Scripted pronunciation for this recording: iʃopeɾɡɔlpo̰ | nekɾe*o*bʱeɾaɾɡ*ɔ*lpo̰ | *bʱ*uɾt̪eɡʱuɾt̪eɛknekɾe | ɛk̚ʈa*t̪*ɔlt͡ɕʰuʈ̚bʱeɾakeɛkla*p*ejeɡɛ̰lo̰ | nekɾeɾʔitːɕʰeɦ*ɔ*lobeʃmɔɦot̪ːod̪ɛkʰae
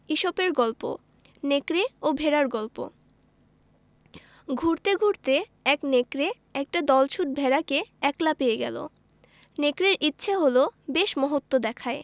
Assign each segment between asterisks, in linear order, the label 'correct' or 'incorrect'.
correct, correct, incorrect, incorrect, correct, incorrect

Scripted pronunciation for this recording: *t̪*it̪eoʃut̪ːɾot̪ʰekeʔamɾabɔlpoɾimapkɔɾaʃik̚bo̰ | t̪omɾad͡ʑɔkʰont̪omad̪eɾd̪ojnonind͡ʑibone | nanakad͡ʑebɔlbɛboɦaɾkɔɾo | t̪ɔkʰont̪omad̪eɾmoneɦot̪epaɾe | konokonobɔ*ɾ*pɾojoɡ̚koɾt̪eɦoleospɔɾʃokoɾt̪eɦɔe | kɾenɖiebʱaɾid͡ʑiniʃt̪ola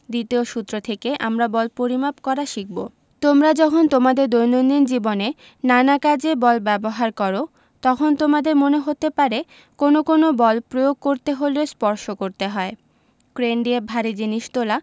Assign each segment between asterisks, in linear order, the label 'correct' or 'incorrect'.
incorrect, incorrect

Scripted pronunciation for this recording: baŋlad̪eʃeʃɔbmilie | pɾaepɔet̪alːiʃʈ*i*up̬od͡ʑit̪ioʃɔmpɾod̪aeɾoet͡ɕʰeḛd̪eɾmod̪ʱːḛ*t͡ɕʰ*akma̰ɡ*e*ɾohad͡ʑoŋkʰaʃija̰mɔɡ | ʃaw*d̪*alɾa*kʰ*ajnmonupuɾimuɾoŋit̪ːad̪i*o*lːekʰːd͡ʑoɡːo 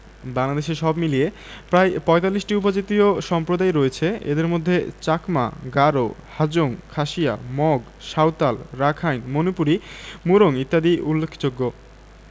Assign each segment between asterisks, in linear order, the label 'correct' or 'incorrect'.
correct, incorrect, incorrect, incorrect, correct, incorrect

